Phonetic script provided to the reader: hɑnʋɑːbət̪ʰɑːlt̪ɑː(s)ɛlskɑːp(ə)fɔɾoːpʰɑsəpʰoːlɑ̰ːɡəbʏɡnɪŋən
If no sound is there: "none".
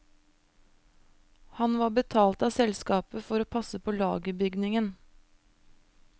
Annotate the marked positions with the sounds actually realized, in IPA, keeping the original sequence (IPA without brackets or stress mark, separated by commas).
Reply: s, ə